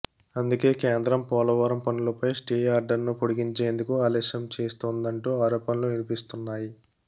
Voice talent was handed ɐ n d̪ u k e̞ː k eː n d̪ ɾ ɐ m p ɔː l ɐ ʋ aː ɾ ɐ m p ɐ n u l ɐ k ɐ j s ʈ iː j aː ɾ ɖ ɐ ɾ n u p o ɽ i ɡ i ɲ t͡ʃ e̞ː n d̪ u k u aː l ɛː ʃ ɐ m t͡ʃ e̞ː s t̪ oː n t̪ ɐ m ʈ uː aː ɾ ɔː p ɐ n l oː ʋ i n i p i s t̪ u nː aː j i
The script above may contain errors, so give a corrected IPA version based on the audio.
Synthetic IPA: ɐ n d̪ u k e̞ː k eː n d̪ ɾ ɐ m p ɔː l ɐ ʋ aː ɾ ɐ m p ɐ n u l ɐ p ɐ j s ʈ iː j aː ɾ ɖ ɐ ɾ n u p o ɽ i ɡ i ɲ t͡ʃ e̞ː n d̪ u k u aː l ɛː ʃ ɐ m t͡ʃ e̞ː s t̪ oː n d̪ ɐ ɳ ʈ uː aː ɾ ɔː p ɐ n l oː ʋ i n i p i s t̪ u nː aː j i

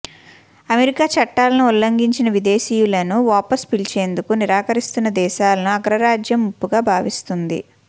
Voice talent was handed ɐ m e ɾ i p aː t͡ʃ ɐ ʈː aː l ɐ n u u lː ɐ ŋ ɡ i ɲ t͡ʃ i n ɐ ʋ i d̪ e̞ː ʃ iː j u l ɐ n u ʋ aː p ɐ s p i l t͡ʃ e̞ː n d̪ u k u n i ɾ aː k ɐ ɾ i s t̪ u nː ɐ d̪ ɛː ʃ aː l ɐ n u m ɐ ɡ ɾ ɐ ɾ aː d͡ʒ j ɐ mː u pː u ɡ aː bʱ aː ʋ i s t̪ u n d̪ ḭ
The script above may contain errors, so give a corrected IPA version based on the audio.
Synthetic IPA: ɐ m e ɾ i k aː t͡ʃ ɐ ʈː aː l ɐ n u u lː ɐ ŋ ɡ i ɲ t͡ʃ i n ɐ ʋ i d̪ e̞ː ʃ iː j u l ɐ n u ʋ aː p ɐ s p i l t͡ʃ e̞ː n d̪ u k u n i ɾ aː k ɐ ɾ i s t̪ u nː ɐ d̪ ɛː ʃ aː l ɐ n u ɐ ɡ ɾ ɐ ɾ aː d͡ʒ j ɐ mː u pː u ɡ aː bʱ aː ʋ i s t̪ u n d̪ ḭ

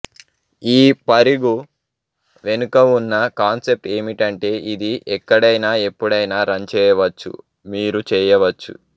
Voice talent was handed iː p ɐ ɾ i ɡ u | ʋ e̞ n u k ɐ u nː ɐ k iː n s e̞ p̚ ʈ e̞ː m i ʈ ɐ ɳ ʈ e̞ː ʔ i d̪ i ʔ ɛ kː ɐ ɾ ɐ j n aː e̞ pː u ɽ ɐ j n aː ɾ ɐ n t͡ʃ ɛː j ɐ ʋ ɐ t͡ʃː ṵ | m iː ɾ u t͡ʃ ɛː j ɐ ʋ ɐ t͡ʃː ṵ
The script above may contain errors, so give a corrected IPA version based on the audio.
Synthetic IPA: iː p ɐ ɾ i ɡ u | ʋ e̞ n u k ɐ u nː ɐ k aː n s e̞ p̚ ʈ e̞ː m i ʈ ɐ ɳ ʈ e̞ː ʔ i d̪ i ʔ ɛ kː ɐ ɽ ɐ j n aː e̞ pː u ɽ ɐ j n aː ɾ ɐ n t͡ʃ ɛː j ɐ ʋ ɐ t͡ʃː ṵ | m iː ɾ u t͡ʃ ɛː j ɐ ʋ ɐ t͡ʃː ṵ

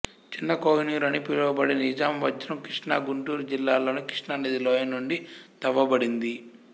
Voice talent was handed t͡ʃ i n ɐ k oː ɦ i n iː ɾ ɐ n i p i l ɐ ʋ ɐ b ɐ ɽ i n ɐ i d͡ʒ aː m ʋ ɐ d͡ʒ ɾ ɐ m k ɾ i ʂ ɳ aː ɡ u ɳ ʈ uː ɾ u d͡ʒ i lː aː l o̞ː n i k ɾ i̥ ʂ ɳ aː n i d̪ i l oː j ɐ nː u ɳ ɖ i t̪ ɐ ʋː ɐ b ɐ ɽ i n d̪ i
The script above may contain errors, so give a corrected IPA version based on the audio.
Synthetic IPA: t͡ʃ i nː ɐ k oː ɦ i n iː ɾ ɐ n i p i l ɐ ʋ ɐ b ɐ ɽ i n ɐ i d͡ʒ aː m ʋ ɐ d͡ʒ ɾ ɐ m k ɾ i ʂ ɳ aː ɡ u ɳ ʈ uː ɾ u d͡ʒ i lː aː l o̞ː n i k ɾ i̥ ʂ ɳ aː n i d̪ i l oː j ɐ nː u ɳ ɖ i t̪ ɐ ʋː ɐ b ɐ ɽ i n d̪ i

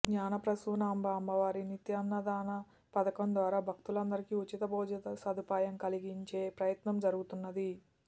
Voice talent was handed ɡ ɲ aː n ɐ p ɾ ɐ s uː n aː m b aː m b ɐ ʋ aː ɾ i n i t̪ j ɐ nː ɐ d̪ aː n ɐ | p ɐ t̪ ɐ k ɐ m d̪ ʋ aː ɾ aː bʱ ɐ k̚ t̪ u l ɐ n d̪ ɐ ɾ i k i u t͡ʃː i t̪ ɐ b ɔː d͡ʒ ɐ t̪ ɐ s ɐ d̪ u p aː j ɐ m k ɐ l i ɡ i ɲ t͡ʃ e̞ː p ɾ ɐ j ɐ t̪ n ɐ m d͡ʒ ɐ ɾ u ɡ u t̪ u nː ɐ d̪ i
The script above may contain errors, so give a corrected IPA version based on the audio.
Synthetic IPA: ɡ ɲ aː n ɐ p ɾ ɐ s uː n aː m b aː m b ɐ ʋ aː ɾ i n i t̪ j ɐ nː ɐ d̪ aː n ɐ | p ɐ d̪ ɐ k ɐ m d̪ ʋ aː ɾ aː bʱ ɐ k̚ t̪ u l ɐ n d̪ ɐ ɾ i k i u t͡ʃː i t̪ ɐ b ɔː d͡ʒ ɐ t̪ ɐ s ɐ d̪ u p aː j ɐ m k ɐ l i ɡ i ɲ t͡ʃ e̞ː p ɾ ɐ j ɐ t̪ n ɐ m d͡ʒ ɐ ɾ u ɡ u t̪ u nː ɐ d̪ i

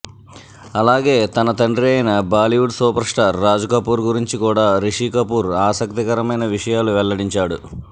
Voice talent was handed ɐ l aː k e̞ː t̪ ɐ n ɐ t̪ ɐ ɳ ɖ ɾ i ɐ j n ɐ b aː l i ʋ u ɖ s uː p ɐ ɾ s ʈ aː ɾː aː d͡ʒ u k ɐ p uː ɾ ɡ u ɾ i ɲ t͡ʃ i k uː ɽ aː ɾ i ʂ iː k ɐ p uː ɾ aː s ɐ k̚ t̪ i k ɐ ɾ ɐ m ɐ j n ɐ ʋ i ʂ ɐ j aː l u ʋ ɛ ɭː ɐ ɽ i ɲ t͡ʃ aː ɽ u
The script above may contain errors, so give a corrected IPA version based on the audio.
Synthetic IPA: ɐ l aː ɡ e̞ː t̪ ɐ n ɐ t̪ ɐ ɳ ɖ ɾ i ɐ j n ɐ b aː l i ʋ u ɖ s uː p ɐ ɾ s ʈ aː ɾː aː d͡ʒ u k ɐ p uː ɾ ɡ u ɾ i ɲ t͡ʃ i k uː ɽ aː ɾ i ʂ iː k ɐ p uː ɾ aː s ɐ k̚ t̪ i k ɐ ɾ ɐ m ɐ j n ɐ ʋ i ʂ ɐ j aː l u ʋ ɛ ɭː ɐ ɽ i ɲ t͡ʃ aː ɽ u

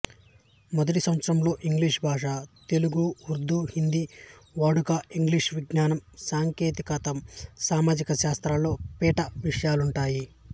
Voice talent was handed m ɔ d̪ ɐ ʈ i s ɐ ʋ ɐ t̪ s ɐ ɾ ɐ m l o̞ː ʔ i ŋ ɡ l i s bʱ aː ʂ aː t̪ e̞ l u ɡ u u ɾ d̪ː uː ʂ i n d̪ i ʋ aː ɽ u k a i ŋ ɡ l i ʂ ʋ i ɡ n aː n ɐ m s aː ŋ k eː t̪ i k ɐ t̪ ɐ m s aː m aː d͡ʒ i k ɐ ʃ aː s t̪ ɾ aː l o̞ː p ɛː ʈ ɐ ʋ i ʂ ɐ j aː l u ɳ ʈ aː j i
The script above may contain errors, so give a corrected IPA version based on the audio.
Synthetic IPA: m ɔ d̪ ɐ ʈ i s ɐ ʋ ɐ t̪ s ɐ ɾ ɐ m l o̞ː ʔ i ŋ ɡ l i ʂ bʱ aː ʂ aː t̪ e̞ l u ɡ u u ɾ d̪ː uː h i n d̪ i ʋ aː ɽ u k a i ŋ ɡ l i ʂ ʋ i ɡ n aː n ɐ m s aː ŋ k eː t̪ i k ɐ t̪ ɐ m s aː m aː d͡ʒ i k ɐ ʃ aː s t̪ ɾ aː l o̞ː p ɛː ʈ ɐ ʋ i ʂ ɐ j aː l u ɳ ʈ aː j i

